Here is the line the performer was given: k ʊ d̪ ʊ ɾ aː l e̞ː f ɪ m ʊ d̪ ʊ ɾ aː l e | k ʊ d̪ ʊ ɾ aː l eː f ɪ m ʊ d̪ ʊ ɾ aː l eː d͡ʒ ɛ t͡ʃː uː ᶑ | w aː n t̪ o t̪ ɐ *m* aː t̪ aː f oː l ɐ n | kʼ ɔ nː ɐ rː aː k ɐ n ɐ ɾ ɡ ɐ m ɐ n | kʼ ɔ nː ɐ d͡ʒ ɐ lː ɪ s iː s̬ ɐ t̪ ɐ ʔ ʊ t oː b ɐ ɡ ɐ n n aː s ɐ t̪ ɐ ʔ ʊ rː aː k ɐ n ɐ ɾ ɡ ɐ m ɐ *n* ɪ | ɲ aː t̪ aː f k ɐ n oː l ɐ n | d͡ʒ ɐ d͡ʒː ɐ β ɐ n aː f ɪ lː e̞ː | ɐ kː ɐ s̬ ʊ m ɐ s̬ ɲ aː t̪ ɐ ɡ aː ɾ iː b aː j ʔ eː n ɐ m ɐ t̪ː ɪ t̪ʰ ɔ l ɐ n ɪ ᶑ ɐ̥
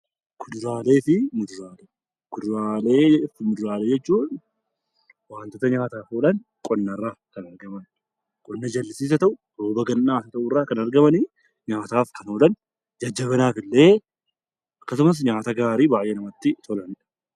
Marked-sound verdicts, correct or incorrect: incorrect: ɲ, correct

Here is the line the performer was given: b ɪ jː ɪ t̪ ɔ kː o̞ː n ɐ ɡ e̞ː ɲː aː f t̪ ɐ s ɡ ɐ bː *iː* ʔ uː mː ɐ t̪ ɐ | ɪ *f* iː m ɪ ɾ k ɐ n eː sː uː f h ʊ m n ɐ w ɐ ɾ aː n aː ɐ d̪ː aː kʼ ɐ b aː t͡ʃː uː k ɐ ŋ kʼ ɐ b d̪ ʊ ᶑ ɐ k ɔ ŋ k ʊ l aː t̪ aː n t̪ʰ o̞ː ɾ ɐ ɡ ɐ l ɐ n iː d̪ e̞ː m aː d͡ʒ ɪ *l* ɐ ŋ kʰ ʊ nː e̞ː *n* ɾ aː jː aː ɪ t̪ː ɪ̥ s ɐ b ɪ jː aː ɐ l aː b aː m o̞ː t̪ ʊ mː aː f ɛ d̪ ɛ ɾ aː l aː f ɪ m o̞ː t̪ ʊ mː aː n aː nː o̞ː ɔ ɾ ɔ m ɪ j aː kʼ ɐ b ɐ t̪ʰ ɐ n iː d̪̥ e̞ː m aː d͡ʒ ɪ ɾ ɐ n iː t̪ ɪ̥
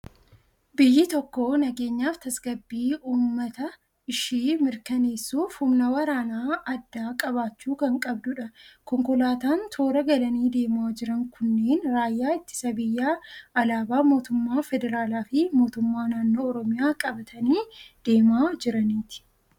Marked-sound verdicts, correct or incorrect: correct, incorrect: ʃ, incorrect: ɾ, correct

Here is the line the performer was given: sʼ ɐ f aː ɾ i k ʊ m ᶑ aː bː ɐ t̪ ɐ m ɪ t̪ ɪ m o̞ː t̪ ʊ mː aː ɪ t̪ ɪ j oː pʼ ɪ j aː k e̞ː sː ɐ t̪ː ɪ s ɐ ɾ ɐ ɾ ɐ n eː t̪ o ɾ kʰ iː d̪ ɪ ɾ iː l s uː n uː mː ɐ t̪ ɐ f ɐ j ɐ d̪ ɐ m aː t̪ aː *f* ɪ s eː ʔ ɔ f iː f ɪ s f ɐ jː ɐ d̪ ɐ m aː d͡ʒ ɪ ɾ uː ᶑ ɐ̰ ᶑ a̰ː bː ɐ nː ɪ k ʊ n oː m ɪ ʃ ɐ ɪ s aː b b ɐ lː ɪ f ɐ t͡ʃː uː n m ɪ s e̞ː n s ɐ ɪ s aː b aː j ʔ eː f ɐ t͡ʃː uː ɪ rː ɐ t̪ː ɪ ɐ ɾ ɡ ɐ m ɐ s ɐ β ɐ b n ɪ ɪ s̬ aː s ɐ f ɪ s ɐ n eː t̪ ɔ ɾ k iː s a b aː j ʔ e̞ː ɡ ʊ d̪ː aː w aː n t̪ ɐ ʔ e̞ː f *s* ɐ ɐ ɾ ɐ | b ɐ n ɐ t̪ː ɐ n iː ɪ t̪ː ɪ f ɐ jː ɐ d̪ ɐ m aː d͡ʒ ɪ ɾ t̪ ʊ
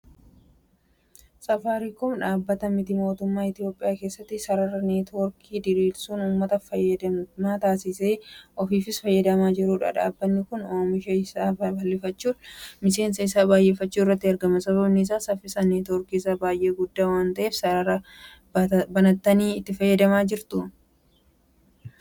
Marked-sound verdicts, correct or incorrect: incorrect: s, correct

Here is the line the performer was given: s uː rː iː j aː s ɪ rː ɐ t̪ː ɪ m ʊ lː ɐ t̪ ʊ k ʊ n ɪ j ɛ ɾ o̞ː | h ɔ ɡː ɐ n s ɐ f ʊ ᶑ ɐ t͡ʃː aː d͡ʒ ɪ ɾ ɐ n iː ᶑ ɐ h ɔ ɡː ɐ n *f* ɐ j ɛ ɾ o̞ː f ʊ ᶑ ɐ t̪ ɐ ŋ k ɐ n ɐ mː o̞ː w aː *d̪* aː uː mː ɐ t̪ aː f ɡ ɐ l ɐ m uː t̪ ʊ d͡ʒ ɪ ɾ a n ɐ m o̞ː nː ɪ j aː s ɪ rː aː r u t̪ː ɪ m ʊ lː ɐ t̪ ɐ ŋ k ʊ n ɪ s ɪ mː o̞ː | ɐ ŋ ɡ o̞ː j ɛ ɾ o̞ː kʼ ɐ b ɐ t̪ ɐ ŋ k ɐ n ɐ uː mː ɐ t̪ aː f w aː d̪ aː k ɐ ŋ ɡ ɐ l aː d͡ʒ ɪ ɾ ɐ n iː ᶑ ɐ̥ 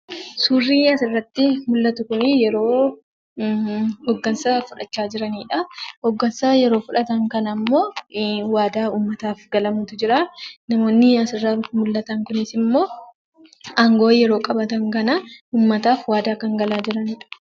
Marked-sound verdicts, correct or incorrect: incorrect: s, correct

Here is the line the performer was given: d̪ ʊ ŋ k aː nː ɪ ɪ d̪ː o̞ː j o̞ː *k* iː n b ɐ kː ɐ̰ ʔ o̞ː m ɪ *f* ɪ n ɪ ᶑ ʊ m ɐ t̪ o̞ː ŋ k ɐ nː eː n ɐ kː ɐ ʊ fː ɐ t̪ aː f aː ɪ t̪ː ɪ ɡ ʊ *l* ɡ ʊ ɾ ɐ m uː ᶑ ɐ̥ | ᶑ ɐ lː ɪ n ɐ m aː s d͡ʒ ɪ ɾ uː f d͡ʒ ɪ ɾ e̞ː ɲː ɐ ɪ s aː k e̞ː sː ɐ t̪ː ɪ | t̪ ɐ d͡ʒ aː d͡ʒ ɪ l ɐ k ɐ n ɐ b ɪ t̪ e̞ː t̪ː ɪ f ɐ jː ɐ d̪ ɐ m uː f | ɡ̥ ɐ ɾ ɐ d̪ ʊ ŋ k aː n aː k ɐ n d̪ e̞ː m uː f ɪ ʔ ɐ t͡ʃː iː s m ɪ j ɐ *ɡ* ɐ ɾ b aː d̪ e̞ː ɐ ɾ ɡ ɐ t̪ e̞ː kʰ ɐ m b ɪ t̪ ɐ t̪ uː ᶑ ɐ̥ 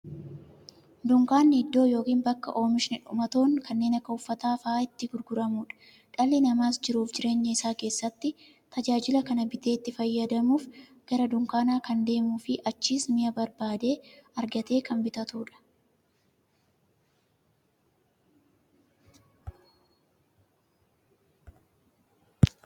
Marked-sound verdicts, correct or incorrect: correct, incorrect: ʃ, incorrect: ɾ, incorrect: b

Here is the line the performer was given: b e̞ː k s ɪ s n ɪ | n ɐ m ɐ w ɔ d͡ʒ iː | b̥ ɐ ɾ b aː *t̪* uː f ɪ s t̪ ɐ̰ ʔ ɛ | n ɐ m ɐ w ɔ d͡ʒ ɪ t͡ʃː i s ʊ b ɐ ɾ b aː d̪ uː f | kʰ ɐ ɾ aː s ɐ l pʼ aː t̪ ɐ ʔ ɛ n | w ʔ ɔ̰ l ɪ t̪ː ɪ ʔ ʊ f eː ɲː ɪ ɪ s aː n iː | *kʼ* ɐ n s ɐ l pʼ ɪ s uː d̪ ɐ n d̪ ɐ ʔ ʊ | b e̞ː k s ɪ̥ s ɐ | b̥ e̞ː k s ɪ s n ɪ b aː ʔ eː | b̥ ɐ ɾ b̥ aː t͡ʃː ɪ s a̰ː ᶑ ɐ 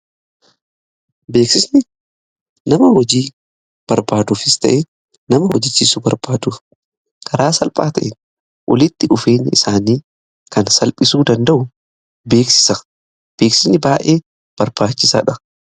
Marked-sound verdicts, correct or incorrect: incorrect: d̪, incorrect: k

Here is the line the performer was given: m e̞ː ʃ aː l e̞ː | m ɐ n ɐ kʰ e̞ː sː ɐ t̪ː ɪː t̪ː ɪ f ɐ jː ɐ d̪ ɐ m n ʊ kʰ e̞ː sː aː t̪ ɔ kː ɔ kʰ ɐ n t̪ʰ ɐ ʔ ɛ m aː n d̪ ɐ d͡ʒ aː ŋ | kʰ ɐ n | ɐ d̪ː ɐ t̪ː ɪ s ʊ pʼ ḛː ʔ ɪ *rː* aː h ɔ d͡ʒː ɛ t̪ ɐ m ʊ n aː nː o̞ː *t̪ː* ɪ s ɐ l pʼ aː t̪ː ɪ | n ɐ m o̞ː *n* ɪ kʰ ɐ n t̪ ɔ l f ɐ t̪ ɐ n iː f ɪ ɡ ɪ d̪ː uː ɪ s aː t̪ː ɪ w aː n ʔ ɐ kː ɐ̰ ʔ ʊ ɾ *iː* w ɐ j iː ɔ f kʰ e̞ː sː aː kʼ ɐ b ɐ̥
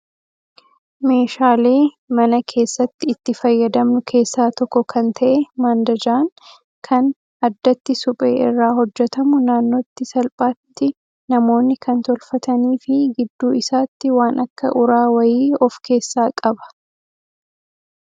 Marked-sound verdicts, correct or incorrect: correct, correct, incorrect: nː, incorrect: aː

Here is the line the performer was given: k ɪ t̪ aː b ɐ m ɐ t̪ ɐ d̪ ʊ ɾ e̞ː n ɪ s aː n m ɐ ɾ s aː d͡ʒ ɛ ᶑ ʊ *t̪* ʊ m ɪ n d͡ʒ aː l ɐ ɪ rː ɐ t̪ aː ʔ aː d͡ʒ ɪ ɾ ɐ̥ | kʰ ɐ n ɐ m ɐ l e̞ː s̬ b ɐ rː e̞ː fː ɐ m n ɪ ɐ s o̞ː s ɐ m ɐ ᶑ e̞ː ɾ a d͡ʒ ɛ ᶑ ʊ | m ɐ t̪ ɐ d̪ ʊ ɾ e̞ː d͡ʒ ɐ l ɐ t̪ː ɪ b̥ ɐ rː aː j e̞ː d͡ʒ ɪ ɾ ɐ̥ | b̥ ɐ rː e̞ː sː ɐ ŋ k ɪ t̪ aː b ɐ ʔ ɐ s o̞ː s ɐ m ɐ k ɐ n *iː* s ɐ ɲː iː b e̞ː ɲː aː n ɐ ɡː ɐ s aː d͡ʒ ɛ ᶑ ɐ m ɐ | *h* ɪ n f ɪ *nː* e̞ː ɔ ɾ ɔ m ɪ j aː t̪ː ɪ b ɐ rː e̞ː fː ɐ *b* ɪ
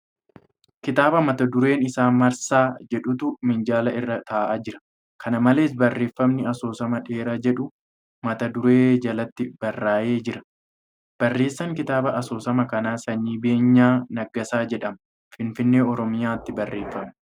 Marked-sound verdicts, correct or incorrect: correct, incorrect: aː, incorrect: f, correct, incorrect: m

